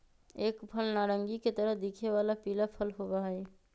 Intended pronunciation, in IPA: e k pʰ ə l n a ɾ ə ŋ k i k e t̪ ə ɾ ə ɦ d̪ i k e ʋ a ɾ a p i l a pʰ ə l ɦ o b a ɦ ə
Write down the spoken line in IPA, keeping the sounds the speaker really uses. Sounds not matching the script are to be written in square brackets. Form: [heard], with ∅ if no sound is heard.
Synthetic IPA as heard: e k pʰ ə l n a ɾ ə ŋ [ɡ] i k e t̪ ə ɾ ə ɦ d̪ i [kʰ] e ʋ a [l] a p i l a pʰ ə l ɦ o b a ɦ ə